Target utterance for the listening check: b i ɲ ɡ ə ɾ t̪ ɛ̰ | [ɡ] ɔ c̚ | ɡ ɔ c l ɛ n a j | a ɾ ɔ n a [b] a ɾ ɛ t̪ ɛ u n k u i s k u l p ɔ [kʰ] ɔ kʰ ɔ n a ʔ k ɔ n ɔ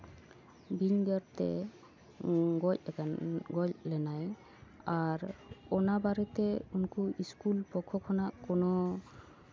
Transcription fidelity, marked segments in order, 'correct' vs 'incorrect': correct, correct, correct

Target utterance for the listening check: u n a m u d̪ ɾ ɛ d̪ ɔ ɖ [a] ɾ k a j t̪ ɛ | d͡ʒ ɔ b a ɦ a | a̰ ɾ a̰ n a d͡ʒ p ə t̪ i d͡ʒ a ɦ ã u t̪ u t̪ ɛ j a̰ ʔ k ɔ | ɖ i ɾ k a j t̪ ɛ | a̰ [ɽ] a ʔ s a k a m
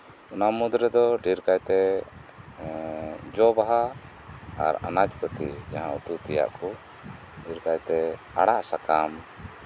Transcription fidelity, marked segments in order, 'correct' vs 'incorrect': incorrect: i, correct

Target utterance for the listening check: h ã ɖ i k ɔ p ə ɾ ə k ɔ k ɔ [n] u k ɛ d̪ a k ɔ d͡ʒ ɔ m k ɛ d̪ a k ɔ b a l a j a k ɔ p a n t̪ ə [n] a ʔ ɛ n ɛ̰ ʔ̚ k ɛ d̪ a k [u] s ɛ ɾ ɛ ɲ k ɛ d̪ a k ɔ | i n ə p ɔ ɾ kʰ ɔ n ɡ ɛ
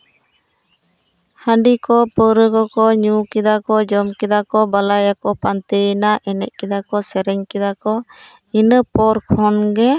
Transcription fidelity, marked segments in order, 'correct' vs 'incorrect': incorrect: ɲ, correct, incorrect: ɔ

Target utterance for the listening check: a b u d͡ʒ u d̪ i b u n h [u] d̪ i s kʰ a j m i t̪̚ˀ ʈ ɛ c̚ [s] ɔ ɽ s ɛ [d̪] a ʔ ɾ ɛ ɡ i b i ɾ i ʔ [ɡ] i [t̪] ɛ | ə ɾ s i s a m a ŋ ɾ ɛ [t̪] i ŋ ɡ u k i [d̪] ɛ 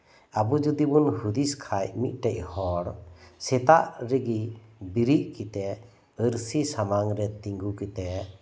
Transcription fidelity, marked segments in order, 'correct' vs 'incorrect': correct, incorrect: h, incorrect: t̪, incorrect: k, correct, correct, incorrect: t̪

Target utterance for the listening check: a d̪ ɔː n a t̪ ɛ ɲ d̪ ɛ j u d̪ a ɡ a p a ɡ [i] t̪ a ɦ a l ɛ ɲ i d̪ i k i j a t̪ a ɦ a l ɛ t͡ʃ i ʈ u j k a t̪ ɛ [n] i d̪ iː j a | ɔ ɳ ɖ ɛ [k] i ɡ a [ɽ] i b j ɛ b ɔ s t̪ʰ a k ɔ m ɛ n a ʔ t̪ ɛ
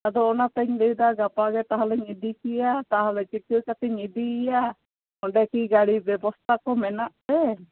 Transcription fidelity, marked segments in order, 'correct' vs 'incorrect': incorrect: ɛ, incorrect: ɲ, correct, correct

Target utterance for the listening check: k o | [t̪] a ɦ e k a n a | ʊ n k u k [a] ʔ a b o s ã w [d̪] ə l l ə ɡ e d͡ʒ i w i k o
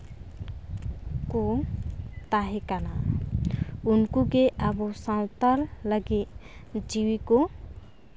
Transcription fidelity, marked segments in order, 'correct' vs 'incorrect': correct, incorrect: e, incorrect: t̪

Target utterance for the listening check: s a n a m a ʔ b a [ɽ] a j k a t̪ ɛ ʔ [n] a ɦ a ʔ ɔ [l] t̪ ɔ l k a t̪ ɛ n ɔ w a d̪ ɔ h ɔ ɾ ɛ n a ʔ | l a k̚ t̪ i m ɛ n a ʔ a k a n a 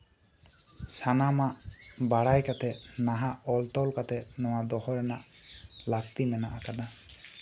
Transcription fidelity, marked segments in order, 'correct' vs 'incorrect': correct, correct, correct

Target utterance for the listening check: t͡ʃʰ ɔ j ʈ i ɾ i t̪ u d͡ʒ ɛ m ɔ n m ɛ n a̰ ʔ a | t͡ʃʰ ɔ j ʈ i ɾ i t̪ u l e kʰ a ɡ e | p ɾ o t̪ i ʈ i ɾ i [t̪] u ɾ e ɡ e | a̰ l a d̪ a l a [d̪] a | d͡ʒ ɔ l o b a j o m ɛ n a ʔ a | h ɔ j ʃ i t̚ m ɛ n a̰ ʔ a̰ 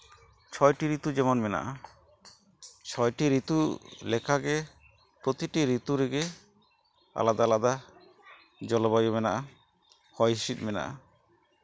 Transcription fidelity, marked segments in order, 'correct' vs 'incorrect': correct, correct

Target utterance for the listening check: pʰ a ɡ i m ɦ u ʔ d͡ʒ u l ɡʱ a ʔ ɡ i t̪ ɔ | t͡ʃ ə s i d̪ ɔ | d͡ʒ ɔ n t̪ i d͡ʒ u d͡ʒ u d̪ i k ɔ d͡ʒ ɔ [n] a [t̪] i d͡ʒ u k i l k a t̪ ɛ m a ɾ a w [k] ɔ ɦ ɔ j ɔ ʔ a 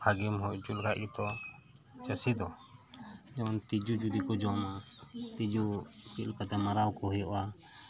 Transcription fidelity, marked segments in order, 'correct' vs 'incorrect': incorrect: m, correct, correct

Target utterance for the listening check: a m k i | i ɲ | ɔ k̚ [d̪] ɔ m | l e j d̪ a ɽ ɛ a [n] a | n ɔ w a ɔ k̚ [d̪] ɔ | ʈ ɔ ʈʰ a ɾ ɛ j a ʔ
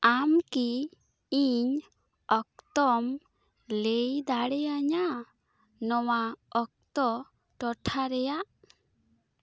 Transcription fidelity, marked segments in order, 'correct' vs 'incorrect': incorrect: t̪, incorrect: ɲ, incorrect: t̪

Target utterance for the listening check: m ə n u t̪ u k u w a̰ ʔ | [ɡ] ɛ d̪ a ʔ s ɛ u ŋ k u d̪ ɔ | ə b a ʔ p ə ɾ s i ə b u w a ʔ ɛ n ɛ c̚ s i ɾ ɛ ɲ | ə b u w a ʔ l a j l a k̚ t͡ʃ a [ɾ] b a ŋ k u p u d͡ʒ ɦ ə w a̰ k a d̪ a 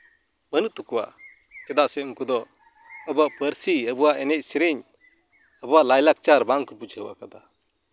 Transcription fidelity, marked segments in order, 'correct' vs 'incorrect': incorrect: k, correct

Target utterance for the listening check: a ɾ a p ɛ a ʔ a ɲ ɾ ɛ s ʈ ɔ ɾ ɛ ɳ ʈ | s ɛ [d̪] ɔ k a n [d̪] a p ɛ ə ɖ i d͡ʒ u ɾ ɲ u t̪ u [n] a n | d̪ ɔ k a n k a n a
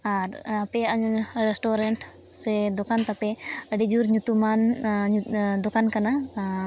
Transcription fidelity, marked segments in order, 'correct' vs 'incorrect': correct, incorrect: t̪, incorrect: m

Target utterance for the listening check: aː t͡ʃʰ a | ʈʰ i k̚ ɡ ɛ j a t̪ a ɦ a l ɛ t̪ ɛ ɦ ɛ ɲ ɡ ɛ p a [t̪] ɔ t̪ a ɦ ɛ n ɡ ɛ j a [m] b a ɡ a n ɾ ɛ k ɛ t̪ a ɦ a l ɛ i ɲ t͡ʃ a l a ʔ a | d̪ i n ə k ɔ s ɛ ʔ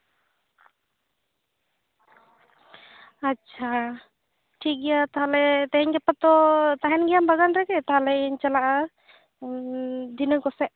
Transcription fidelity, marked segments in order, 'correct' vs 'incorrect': correct, correct

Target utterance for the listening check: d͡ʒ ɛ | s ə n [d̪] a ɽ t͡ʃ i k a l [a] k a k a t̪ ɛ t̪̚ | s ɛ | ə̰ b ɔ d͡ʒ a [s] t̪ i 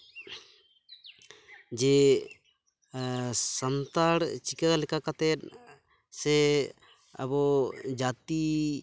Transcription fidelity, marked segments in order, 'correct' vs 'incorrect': incorrect: t̪, incorrect: ɛ, incorrect: none

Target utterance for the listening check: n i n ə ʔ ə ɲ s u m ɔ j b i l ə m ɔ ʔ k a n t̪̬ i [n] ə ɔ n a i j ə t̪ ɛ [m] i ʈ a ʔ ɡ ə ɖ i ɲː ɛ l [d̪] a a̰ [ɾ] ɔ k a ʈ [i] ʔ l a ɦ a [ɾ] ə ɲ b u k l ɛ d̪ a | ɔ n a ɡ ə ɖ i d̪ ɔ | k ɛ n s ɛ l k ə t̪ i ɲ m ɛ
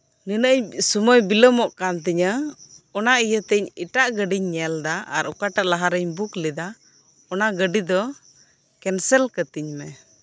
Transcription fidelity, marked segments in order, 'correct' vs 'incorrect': incorrect: ɲ, incorrect: ɲ, correct, correct, incorrect: a, correct

